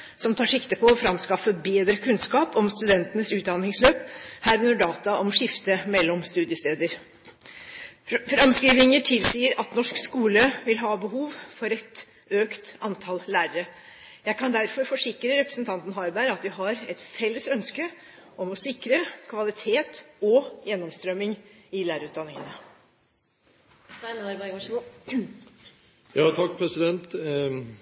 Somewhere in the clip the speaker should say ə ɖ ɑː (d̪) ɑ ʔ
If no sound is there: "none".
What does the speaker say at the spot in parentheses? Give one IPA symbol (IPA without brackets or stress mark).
t̪